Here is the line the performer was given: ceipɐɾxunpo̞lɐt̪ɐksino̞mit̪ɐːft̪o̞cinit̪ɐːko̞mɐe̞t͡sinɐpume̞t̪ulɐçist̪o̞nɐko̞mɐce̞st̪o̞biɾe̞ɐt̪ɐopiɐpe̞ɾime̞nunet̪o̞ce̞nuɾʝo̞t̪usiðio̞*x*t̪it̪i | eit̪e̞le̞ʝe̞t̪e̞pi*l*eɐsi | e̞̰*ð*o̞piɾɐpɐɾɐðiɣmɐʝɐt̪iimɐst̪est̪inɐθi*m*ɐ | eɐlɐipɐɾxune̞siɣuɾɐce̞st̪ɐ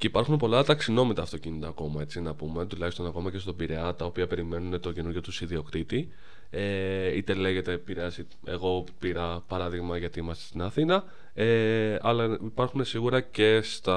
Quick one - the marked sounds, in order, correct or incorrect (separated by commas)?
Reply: incorrect, incorrect, incorrect, incorrect